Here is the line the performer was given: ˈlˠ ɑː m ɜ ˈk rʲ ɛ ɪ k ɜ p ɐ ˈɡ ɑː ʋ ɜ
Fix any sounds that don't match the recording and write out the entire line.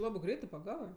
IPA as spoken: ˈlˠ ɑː b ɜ ˈɡ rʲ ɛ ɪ t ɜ p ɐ ˈɡ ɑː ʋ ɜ